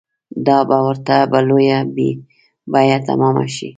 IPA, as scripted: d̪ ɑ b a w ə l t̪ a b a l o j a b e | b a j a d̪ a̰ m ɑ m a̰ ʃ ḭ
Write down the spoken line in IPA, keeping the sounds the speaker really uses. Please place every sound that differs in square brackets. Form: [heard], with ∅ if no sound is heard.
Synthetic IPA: d̪ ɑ b a w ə [ɾ] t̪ a b a l o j a b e | b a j a [t̪] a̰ m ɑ m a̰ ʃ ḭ